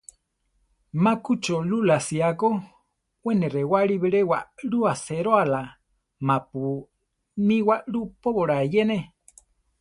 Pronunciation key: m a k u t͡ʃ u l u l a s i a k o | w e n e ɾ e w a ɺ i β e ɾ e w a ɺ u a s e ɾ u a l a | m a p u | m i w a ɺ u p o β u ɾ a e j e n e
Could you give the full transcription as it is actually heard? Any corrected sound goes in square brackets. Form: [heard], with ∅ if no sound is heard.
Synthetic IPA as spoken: m a k u t͡ʃ [o] l u l a s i a k o | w e n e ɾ e w a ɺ i β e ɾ e w a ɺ u a s e ɾ [o] a l a | m a p u | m i w a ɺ u p o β [o] ɾ a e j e n e